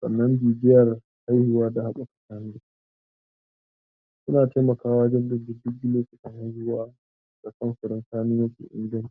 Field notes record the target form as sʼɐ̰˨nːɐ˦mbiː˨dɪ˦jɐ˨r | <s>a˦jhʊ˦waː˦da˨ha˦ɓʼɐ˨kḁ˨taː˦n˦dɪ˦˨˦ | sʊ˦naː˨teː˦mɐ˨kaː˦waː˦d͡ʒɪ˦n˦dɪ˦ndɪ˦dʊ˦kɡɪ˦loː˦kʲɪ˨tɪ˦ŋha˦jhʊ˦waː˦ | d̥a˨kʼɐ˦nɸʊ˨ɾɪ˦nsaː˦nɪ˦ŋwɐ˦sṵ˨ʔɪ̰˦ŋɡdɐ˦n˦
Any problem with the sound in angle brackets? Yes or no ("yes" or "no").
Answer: yes